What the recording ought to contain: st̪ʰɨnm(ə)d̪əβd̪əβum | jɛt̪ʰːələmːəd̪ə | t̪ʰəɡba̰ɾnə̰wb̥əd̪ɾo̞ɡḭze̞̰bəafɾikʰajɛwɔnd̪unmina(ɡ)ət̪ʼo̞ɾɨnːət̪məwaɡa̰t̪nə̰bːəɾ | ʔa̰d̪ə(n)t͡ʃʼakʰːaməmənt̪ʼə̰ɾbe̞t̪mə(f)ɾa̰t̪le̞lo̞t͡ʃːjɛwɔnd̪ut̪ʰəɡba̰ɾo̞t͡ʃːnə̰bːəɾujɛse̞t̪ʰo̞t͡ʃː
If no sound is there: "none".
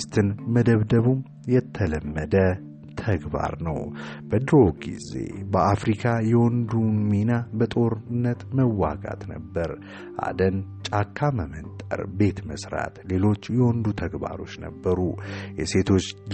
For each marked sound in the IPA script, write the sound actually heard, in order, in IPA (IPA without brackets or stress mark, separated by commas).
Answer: ə, b, n, s